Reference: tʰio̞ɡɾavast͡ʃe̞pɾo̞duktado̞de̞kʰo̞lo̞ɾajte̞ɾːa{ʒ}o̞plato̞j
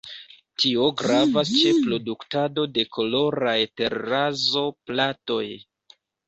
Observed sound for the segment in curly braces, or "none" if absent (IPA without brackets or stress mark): z